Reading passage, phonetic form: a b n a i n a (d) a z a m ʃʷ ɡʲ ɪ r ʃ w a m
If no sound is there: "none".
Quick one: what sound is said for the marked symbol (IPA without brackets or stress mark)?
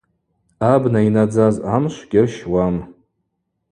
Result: d͡z